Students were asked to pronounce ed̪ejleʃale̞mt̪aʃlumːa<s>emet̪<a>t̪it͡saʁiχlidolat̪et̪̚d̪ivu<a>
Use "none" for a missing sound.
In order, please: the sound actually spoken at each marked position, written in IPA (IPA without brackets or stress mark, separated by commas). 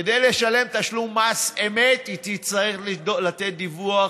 s, i, a